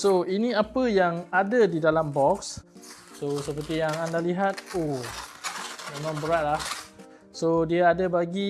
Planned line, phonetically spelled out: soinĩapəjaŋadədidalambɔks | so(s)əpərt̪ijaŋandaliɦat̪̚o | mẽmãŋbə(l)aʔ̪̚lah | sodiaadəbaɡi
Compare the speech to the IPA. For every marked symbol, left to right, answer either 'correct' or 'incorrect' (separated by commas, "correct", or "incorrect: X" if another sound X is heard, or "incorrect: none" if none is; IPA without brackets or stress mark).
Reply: correct, incorrect: ɾ